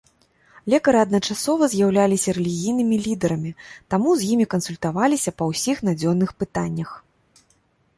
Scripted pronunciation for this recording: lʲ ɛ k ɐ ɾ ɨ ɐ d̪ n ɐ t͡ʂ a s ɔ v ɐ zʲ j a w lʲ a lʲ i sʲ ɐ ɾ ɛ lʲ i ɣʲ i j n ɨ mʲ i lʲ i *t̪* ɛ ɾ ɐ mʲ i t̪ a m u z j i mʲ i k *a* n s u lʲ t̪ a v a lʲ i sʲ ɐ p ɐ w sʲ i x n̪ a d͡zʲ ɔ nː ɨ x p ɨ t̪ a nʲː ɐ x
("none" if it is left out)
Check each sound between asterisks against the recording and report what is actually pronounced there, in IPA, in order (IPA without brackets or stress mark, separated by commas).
d̪, ɐ